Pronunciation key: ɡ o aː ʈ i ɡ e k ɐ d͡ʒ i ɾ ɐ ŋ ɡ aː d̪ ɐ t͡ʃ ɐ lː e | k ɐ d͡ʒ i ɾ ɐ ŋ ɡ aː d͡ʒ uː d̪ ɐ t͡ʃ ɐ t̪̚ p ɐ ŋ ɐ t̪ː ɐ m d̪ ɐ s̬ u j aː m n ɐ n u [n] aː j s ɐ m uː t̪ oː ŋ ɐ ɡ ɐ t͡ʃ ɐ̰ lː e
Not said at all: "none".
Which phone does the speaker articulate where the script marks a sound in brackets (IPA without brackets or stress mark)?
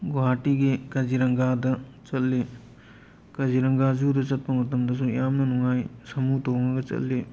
ŋ